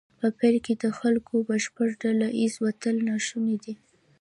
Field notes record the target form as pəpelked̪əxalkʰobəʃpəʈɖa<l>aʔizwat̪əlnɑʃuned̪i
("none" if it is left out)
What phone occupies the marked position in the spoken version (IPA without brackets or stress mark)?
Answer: l